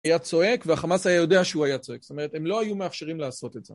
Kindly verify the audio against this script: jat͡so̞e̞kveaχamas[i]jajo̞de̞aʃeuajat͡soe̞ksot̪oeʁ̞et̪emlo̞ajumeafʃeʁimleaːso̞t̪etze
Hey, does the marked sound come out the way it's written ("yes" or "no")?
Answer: no